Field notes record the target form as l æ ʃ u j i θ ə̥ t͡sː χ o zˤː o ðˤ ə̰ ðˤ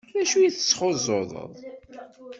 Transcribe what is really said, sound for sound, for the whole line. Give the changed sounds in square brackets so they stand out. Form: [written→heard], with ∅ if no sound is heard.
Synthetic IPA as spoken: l æ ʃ u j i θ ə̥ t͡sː χ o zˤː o ðˤ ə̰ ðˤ